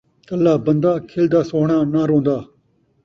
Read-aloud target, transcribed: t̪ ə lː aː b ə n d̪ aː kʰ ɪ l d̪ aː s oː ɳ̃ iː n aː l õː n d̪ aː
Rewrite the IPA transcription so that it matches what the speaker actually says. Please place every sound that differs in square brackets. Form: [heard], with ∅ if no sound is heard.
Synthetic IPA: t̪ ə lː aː b ə n d̪ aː kʰ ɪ l d̪ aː s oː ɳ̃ [aː] n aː [ɾ] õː n d̪ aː